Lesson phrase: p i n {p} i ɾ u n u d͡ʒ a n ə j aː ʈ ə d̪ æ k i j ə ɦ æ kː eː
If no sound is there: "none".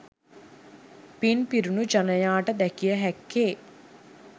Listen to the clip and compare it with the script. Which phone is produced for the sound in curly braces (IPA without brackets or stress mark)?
p